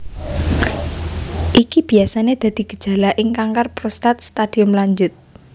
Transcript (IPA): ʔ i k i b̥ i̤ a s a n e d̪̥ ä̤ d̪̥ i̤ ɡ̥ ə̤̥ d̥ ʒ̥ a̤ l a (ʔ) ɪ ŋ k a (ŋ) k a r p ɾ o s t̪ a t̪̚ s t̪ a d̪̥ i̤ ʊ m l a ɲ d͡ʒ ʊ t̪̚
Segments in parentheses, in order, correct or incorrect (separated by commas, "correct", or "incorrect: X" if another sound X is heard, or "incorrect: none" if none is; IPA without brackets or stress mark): correct, correct